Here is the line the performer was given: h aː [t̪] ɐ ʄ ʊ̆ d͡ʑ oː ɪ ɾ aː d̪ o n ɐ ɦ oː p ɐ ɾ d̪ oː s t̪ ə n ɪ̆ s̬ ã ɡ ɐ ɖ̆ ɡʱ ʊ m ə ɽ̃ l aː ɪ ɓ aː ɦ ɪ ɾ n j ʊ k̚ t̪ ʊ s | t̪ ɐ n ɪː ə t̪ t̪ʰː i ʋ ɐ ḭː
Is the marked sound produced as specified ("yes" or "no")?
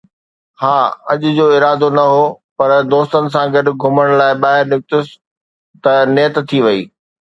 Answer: no